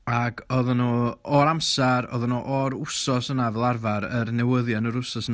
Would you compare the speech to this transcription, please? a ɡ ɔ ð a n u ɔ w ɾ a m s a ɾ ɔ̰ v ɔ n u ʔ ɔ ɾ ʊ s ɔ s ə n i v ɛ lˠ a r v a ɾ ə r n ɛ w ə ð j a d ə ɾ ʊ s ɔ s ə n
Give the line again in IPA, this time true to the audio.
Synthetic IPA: a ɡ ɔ ð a n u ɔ ɾ a m s a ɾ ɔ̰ ð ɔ n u ʔ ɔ ɾ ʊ s ɔ s ə n a v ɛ lˠ a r v a ɾ ə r n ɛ w ə ð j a n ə ɾ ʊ s ɔ s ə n